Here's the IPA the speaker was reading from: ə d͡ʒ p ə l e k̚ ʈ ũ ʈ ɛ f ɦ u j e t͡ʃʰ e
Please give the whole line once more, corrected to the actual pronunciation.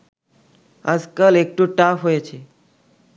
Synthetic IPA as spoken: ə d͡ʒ k ə l e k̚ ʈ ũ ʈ a f ɦ o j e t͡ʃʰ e